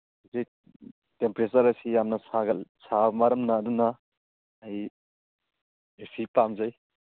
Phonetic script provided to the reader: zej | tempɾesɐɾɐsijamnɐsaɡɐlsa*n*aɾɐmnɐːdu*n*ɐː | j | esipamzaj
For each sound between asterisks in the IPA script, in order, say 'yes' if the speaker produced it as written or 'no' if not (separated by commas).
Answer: no, yes